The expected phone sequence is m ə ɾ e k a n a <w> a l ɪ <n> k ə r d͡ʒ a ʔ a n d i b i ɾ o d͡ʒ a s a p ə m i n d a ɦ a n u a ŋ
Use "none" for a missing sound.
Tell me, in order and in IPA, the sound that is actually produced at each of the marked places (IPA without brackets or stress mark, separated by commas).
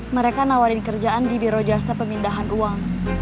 w, n